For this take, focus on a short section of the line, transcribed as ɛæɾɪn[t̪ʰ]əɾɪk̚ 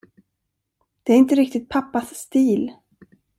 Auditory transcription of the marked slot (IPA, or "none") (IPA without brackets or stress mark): t̪